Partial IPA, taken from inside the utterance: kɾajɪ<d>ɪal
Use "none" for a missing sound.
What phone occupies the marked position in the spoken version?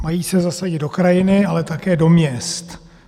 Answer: n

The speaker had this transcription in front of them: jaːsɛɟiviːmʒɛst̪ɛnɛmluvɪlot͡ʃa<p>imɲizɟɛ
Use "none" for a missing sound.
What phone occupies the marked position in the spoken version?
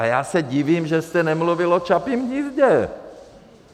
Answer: p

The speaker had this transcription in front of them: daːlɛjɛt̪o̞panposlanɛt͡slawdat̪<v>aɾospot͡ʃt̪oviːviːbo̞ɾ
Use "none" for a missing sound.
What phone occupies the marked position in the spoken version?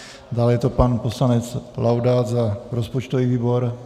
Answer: z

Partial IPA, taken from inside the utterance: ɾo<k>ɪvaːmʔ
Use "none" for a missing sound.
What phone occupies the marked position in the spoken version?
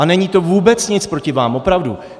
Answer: c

